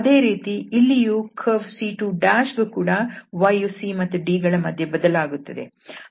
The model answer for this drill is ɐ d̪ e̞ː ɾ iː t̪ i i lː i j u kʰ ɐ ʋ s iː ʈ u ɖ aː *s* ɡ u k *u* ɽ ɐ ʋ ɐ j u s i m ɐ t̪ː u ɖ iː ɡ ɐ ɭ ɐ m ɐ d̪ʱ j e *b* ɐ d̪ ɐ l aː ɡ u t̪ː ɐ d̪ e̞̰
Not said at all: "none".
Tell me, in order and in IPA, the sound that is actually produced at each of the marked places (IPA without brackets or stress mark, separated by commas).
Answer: ʃ, uː, b